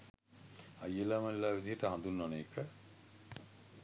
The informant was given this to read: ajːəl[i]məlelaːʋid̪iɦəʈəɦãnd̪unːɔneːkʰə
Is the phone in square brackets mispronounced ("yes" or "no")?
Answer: yes